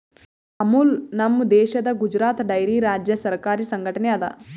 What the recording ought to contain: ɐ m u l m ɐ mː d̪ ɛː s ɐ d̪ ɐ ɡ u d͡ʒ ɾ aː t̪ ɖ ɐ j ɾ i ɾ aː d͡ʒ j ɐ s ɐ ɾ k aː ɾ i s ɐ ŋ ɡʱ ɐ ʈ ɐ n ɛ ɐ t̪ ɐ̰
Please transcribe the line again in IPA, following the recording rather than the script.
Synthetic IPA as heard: ɐ m u l n ɐ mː d̪ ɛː ʃ ɐ d̪ ɐ ɡ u d͡ʒ ɾ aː t̪ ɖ ɐ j ɾ i ɾ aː d͡ʒ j ɐ s ɐ ɾ k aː ɾ i s ɐ ŋ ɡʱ ɐ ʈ ɐ n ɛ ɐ d̪ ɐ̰

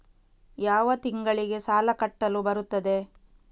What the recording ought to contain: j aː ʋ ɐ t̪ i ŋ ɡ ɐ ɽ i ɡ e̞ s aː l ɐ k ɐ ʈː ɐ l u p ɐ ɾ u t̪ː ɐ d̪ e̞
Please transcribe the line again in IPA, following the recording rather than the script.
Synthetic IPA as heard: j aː ʋ ɐ t̪ i ŋ ɡ ɐ ɭ i ɡ e̞ s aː l ɐ k ɐ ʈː ɐ l u b ɐ ɾ u t̪ː ɐ d̪ e̞

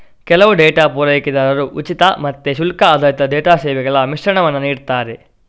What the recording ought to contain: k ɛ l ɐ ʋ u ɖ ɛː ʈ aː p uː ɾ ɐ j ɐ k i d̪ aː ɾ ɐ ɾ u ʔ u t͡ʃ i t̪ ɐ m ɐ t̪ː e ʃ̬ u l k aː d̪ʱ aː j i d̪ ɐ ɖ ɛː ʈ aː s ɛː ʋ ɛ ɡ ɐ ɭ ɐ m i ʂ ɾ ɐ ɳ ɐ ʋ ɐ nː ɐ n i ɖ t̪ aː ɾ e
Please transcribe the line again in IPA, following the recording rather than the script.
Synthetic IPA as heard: k ɛ l ɐ ʋ u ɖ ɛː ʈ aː p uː ɾ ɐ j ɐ k i d̪ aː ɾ ɐ ɾ u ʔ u t͡ʃ i t̪ ɐ m ɐ t̪ː e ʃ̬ u l k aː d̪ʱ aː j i t̪ ɐ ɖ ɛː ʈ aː s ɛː ʋ ɛ ɡ ɐ ɭ ɐ m i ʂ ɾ ɐ ɳ ɐ ʋ ɐ nː ɐ n iː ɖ t̪ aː ɾ e

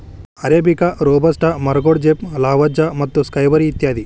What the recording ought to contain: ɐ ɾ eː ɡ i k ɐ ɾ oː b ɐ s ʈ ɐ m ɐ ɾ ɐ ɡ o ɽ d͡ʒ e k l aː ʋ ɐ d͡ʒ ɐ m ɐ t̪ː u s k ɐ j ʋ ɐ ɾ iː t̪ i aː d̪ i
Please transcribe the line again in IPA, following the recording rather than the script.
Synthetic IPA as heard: ɐ ɾ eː b i k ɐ ɾ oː b ɐ s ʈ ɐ m ɐ ɾ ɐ ɡ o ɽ d͡ʒ e p l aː ʋ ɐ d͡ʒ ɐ m ɐ t̪ː u s k ɐ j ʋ ɐ ɾ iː t̪ j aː d̪ i

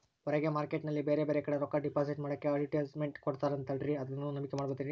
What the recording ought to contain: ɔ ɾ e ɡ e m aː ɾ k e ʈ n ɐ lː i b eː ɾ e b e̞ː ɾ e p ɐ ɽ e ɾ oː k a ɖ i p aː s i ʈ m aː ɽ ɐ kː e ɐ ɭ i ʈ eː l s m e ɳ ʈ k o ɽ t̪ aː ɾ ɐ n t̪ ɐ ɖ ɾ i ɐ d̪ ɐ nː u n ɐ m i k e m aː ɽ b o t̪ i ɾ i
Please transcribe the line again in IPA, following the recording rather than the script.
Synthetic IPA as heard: ɔ ɾ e ɡ e m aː ɾ k e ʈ n ɐ lː i b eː ɾ e b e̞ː ɾ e k ɐ ɽ e ɾ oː k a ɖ i p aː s i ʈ m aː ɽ ɐ kː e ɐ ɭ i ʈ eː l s m e ɳ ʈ k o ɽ t̪ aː ɾ ɐ n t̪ ɐ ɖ ɾ i ɐ d̪ ɐ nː u n ɐ m i k e m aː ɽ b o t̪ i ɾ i

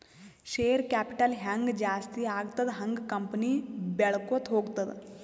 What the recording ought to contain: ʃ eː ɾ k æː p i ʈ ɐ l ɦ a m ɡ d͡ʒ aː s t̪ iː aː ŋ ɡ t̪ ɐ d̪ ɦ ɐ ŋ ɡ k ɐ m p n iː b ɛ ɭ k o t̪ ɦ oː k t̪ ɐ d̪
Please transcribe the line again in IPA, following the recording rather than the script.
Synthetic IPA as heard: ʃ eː ɾ k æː p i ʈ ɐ l ɦ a ŋ ɡ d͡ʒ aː s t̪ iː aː ɡ t̪ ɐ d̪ ɦ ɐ ŋ ɡ k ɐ m p n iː b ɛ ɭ k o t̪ ɦ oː ɡ t̪ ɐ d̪

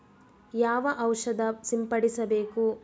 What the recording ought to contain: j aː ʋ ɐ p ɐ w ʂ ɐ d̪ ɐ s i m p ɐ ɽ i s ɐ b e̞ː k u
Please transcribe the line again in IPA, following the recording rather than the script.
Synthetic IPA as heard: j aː ʋ ɐ ʔ ɐ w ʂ ɐ d̪ ɐ s i m p ɐ ɽ i s ɐ b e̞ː k u

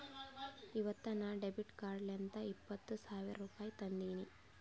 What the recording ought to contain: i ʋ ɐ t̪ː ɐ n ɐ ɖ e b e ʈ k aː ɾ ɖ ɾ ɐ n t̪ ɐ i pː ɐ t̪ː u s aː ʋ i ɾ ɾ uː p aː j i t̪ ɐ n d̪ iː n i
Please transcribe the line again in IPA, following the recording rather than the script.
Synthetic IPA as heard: i ʋ ɐ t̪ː ɐ n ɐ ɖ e b i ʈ k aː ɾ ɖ l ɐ n t̪ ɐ i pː ɐ t̪ː u s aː ʋ i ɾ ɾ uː p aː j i t̪ ɐ n d̪ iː n i

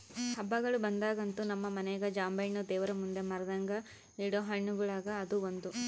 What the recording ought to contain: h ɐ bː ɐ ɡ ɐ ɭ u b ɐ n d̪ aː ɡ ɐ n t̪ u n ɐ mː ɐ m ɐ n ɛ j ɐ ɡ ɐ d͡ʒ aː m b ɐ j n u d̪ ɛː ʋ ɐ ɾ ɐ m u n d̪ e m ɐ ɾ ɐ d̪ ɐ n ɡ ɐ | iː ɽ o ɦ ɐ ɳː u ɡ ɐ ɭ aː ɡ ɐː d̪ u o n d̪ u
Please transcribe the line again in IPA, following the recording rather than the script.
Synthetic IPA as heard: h ɐ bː ɐ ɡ ɐ ɭ u b ɐ n d̪ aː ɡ ɐ n t̪ u n ɐ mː ɐ m ɐ n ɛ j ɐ ɡ ɐ d͡ʒ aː m b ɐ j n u d̪ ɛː ʋ ɐ ɾ ɐ m u n d̪ e m ɐ ɾ ɐ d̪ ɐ ŋ ɡ ɐ | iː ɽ o ɦ ɐ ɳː u ɡ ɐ ɭ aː ɡ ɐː d̪ u o n d̪ u

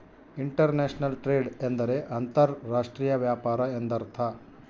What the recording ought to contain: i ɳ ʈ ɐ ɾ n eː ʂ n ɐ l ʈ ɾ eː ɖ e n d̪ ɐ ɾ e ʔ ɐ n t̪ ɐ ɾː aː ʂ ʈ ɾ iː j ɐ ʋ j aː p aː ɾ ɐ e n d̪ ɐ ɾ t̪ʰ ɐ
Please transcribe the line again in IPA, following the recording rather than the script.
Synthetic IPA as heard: i ɳ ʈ ɐ ɾ n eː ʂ n ɐ l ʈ ɾ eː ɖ e n d̪ ɐ ɾ e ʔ ɐ n t̪ ɐ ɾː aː ʂ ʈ ɾ iː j ɐ ʋ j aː p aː ɾ ɐ e n d̪ ɐ ɾ t̪ʰ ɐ

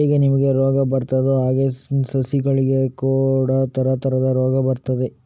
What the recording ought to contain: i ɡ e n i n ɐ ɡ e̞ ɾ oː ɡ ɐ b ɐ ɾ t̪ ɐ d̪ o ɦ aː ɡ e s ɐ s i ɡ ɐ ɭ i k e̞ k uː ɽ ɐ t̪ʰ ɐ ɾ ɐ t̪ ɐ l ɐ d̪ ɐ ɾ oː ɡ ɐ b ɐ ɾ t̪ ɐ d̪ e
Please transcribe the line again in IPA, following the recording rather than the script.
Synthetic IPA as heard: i ɡ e n i m ɐ ɡ e̞ ɾ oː ɡ ɐ b ɐ ɾ t̪ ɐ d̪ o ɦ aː ɡ e s ɐ s i ɡ ɐ ɭ i ɡ e̞ k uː ɽ ɐ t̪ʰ ɐ ɾ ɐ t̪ ɐ ɾ ɐ d̪ ɐ ɾ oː ɡ ɐ b ɐ ɾ t̪ ɐ d̪ e

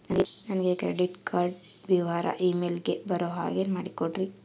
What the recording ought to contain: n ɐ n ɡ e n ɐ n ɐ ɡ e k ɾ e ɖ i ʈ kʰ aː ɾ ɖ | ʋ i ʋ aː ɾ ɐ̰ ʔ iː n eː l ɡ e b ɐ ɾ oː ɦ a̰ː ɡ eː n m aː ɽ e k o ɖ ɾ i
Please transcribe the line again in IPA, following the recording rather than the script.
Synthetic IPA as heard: n ɐ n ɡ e n ɐ n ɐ ɡ e k ɾ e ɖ i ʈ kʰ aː ɾ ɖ | ʋ i ʋ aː ɾ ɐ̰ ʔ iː m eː l ɡ e b ɐ ɾ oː ɦ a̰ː ɡ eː n m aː ɽ i k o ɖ ɾ i

